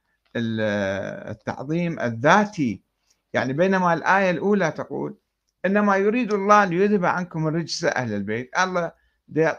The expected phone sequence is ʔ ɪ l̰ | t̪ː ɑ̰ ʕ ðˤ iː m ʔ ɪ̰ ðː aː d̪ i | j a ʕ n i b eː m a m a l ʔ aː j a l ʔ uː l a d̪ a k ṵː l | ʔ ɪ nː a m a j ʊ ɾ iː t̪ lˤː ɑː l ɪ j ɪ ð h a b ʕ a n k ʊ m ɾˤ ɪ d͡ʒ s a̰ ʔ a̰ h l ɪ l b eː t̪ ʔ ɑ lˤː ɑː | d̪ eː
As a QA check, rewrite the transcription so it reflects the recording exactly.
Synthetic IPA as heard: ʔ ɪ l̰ | t̪ː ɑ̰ ʕ ðˤ iː m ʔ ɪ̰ ðː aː t̪ i | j a ʕ n i b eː n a m a l ʔ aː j a l ʔ uː l a t̪ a q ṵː l | ʔ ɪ nː a m a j ʊ ɾ iː d̪ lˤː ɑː l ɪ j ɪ ð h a b ʕ a n k ʊ m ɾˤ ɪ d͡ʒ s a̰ ʔ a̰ h l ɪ l b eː t̪ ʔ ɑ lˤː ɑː | d̪ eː